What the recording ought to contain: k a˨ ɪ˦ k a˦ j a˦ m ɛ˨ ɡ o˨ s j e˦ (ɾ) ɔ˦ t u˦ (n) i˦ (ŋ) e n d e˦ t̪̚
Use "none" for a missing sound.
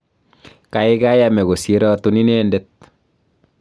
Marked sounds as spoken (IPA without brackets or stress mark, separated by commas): ɾ, n, n